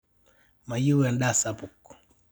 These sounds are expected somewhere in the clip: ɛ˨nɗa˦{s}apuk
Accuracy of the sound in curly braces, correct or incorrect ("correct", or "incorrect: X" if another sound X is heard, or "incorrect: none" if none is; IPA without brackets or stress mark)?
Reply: correct